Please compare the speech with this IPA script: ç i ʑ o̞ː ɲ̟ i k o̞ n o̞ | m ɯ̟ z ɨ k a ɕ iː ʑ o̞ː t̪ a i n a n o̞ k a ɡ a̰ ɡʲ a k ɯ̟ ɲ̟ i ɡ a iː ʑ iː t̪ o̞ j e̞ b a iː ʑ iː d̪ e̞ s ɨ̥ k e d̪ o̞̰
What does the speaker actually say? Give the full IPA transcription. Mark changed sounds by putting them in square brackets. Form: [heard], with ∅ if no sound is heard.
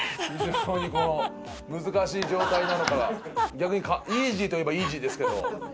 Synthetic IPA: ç i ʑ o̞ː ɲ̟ i k o̞ n o̞ | m ɯ̟ z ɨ k a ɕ iː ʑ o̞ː t̪ a i n a n o̞ k a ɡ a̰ ɡʲ a k ɯ̟ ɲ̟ i [k] a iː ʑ iː t̪ o̞ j e̞ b a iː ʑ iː d̪ e̞ s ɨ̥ k e d̪ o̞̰